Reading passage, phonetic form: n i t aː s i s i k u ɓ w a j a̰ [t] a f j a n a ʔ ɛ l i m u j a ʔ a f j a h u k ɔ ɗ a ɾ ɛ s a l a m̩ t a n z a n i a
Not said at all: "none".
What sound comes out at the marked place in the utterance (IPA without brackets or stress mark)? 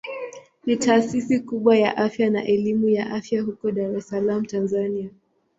ʔ